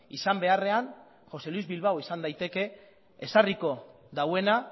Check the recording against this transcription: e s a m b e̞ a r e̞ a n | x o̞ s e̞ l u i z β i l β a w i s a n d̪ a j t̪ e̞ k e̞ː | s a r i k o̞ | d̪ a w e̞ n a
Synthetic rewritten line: i s a m b e̞ a r e̞ a n | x o̞ s e̞ l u i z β i l β a w i s a n d̪ a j t̪ e̞ k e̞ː | s a r i k o̞ | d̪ a w e̞ n a